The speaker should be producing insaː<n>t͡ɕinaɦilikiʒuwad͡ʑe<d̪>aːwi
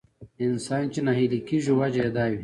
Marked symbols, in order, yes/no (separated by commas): yes, yes